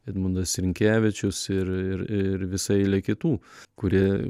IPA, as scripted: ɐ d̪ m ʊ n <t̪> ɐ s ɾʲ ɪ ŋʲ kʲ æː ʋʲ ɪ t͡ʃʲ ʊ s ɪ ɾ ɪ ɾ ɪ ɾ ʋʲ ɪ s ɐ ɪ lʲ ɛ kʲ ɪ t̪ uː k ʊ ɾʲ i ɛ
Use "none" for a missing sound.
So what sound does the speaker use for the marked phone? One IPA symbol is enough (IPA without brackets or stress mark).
d̪